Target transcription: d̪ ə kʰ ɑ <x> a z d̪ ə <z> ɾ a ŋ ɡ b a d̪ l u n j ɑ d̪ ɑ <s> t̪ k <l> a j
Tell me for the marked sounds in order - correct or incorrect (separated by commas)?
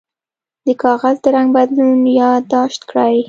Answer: incorrect, incorrect, incorrect, incorrect